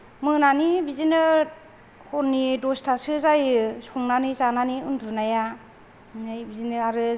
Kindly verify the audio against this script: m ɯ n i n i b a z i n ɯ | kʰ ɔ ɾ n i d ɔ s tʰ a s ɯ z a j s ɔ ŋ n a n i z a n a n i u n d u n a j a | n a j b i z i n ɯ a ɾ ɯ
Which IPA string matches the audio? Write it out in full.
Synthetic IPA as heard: m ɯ n a n i b i z i n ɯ | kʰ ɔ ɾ n i d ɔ s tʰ a s ɯ z a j s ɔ ŋ n a n i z a n a n i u n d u n a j a | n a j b i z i n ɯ a ɾ ɯ